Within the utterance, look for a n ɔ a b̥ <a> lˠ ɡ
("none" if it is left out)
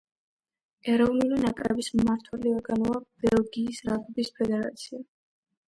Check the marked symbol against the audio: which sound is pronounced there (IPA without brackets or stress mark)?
ɛ